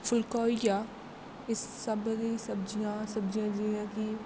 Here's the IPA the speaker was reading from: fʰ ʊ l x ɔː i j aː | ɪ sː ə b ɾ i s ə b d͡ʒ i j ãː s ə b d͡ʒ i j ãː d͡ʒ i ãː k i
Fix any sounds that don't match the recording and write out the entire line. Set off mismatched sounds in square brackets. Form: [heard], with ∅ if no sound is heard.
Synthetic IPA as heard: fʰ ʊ l [k] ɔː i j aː | ɪ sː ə b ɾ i s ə b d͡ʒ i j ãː s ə b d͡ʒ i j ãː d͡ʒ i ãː k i